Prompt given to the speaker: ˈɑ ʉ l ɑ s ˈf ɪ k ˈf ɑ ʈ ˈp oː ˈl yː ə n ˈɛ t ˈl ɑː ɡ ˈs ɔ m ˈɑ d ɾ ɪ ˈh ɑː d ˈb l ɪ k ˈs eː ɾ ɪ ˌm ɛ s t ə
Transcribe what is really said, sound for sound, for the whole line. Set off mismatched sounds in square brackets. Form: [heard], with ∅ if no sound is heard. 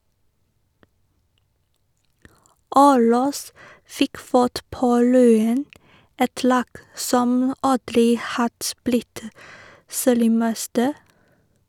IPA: ˈɑ ʉ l ɑ s ˈf ɪ k ˈf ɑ ʈ ˈp oː ˈl yː ə n ˈɛ t ˈl ɑː ɡ ˈs ɔ m ˈɑ d ɾ ɪ ˈh [ɑ] d ˈb l ɪ [t] ˈs eː ɾ ɪ ˌm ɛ s t ə